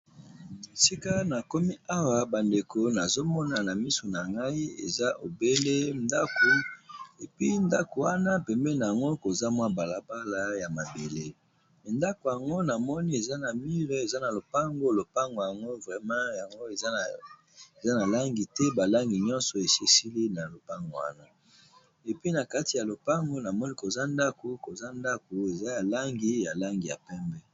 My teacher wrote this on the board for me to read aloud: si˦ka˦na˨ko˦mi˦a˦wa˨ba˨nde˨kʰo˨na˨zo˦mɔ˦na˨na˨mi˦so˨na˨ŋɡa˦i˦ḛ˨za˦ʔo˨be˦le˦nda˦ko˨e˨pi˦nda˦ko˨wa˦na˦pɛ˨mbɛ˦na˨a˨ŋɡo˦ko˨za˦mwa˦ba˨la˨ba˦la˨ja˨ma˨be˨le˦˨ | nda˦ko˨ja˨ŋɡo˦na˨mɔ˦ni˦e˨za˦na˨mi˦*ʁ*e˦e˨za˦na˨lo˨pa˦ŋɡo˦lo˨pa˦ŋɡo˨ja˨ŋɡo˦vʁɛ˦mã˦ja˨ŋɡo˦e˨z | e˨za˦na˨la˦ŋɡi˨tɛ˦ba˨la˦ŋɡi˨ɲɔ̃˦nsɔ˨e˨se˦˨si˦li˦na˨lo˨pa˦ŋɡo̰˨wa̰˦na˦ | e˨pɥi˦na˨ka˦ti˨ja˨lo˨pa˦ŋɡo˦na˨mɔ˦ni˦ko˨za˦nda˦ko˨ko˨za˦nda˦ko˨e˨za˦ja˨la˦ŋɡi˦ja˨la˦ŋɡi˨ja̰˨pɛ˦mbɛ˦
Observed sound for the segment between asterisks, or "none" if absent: ʁ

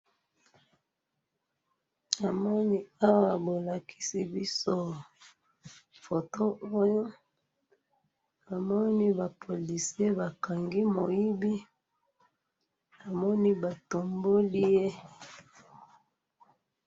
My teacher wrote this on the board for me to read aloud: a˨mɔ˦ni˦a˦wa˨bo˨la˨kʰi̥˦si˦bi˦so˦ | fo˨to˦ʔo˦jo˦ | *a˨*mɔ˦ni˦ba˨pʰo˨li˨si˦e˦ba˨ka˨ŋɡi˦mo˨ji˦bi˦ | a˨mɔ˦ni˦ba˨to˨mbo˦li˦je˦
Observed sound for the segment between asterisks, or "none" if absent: a˨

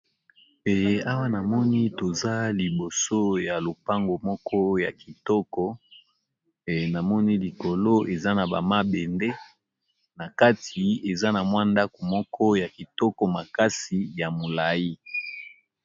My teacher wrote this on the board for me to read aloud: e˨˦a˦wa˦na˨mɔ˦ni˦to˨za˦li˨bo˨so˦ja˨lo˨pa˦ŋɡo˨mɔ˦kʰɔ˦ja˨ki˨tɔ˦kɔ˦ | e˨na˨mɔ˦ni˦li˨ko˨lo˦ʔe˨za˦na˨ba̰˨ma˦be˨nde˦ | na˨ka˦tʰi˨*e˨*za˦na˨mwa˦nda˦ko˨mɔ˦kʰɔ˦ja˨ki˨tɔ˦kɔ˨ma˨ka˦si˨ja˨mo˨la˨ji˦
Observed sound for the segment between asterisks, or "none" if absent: e˨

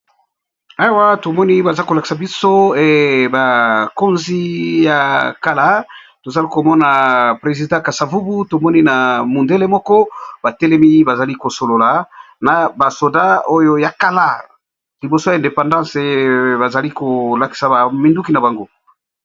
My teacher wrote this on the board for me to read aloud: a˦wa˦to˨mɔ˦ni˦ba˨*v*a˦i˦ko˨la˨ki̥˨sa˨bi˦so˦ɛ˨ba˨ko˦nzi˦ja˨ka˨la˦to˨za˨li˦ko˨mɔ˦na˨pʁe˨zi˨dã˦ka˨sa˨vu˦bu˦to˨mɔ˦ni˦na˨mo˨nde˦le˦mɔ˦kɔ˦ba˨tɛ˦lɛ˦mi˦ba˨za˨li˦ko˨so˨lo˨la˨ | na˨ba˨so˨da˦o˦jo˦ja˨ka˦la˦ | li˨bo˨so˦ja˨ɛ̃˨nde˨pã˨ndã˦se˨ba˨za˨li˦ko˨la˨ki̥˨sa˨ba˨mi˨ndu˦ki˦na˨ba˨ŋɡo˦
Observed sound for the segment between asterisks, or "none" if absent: z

